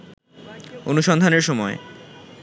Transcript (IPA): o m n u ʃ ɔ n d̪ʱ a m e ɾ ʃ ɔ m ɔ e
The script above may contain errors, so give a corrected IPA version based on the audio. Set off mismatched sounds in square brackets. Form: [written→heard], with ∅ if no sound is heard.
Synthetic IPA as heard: o [m→∅] n u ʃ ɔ n d̪ʱ a [m→n] e ɾ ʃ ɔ m ɔ e